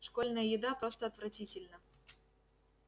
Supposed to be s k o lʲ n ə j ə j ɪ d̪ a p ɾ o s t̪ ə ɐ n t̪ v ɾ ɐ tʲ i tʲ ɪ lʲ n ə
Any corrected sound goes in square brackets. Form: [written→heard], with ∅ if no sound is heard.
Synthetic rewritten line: [s→ʂ] k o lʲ n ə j ə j ɪ d̪ a p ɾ o s t̪ ə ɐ [n→∅] t̪ v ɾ ɐ tʲ i tʲ ɪ lʲ n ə